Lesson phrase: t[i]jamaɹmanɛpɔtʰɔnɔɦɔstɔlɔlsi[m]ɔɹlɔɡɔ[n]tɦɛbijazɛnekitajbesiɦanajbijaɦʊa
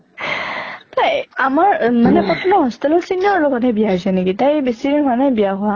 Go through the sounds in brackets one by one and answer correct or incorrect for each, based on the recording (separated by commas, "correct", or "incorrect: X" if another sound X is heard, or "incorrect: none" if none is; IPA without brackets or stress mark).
incorrect: a, incorrect: n, incorrect: none